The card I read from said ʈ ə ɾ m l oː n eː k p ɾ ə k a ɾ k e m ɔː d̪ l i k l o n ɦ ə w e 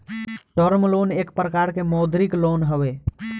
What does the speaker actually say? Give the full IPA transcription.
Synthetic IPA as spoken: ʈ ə ɾ m l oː n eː k p ɾ ə k a ɾ k e m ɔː d̪ ɾ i k l o n ɦ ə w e